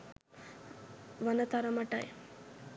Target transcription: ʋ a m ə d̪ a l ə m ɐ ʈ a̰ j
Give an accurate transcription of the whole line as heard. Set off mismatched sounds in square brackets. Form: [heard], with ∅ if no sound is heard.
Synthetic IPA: ʋ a [n] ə [t̪] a [ɾ] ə m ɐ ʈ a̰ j